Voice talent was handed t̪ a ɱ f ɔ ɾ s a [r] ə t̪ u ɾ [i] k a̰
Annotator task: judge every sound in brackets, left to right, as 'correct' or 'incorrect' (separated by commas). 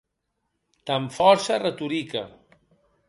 correct, correct